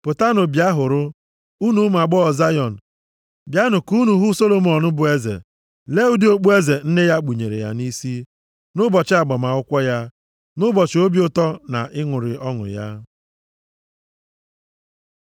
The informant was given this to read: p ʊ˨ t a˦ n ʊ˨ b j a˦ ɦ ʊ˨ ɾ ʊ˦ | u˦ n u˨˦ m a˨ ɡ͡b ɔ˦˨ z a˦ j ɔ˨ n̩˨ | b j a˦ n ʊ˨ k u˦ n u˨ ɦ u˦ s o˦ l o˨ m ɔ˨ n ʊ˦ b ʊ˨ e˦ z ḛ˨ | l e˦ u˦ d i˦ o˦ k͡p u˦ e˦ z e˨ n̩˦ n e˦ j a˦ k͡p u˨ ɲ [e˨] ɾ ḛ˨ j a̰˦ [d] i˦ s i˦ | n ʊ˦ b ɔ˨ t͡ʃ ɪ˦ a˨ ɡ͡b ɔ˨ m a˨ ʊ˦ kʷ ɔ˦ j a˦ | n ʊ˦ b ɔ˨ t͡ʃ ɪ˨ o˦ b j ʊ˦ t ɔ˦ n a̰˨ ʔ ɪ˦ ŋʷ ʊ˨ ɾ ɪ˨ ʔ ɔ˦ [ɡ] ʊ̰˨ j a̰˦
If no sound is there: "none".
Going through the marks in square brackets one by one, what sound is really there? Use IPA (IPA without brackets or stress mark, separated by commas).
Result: e˨, n, ŋ